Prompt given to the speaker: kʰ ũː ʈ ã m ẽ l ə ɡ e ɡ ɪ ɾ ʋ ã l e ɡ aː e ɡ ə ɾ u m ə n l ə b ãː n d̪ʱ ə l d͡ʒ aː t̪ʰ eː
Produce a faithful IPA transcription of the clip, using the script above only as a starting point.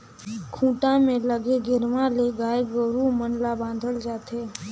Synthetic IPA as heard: kʰ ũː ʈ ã m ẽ l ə ɡ e ɡ ɪ ɾ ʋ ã l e ɡ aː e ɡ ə ɾ u m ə n l a b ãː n d̪ʱ ə l d͡ʒ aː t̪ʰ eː